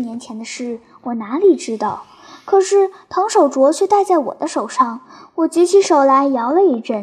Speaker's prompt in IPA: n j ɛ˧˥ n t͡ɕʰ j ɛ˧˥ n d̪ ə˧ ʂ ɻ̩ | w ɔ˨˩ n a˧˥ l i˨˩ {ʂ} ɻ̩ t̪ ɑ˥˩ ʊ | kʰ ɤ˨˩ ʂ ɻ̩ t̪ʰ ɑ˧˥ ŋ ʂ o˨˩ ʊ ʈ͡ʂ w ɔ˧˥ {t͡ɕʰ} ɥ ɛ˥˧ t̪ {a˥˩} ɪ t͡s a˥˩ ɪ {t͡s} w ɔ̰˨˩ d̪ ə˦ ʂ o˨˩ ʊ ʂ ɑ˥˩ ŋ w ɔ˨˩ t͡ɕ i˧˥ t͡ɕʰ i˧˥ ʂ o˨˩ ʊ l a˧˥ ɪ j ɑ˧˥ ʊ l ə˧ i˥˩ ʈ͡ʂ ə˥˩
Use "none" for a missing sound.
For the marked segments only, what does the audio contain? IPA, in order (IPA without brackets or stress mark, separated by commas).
ʈ͡ʂ, t͡ɕʰ, a˥˧, none